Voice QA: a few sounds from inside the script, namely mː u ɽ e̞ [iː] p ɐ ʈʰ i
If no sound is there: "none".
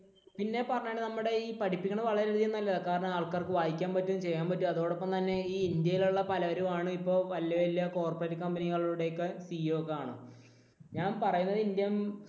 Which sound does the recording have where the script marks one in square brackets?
iː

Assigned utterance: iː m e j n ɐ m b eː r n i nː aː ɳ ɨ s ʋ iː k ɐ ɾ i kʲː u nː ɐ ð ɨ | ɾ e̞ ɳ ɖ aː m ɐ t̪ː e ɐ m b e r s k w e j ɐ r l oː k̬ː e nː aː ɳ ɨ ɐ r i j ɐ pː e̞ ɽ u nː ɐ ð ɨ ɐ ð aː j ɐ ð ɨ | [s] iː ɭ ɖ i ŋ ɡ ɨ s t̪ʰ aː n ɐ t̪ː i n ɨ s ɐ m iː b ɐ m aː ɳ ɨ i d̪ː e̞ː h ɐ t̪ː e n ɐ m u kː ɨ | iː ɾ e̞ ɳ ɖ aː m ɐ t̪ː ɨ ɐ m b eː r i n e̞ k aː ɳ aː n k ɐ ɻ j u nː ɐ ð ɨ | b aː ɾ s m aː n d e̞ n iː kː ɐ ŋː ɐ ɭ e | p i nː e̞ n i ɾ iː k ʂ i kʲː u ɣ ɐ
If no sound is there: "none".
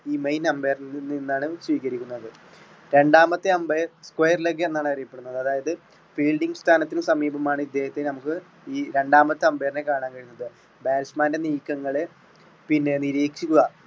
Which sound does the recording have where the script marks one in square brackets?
f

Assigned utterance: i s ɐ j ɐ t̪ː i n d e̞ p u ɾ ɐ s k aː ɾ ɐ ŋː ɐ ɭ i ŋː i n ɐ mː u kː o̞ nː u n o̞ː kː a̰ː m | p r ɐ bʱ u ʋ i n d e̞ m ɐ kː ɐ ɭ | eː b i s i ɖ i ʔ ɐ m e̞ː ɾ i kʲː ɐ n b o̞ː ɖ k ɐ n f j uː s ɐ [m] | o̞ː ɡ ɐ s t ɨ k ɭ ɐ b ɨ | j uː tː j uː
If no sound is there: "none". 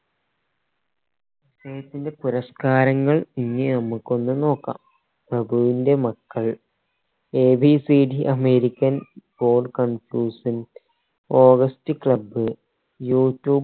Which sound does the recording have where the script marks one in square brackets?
n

